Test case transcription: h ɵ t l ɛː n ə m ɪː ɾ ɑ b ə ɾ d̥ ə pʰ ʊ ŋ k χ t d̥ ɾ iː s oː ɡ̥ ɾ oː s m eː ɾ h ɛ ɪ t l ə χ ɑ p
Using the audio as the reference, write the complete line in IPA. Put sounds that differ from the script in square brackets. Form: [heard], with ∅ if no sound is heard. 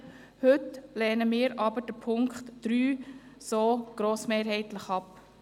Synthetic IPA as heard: h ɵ t l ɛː n ə m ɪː ɾ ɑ b ə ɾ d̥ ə pʰ ʊ ŋ k χ t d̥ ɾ [yː] s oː ɡ̥ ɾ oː s m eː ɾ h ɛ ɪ t l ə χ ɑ p